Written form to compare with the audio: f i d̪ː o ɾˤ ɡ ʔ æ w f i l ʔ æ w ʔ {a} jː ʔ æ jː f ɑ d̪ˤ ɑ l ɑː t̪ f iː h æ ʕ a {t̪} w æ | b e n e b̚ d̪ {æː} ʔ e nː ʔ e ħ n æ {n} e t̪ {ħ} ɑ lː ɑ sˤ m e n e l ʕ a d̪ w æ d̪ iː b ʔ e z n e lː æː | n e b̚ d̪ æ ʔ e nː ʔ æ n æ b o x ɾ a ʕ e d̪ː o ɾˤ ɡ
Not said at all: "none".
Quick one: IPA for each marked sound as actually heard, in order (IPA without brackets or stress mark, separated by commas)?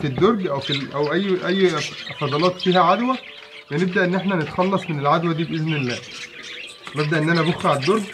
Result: æ, d̪, æ, n, x